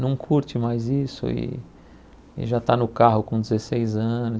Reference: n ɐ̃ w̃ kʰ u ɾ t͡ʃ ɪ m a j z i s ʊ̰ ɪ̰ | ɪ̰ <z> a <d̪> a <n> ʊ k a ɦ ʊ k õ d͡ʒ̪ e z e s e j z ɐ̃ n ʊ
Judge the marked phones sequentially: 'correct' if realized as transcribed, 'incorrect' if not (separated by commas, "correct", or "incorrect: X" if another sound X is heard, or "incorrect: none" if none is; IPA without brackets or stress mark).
incorrect: ʒ, incorrect: t̪, correct